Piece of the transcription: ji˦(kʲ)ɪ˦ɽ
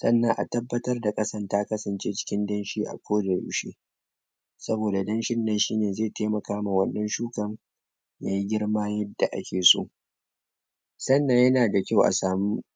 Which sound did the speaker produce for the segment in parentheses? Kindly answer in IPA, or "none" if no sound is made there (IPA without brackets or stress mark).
ɡʲ